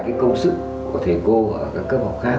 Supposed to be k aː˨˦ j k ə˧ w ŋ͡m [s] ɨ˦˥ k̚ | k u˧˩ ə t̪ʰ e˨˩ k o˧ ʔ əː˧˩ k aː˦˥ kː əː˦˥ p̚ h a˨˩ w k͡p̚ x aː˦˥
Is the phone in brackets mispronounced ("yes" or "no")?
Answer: no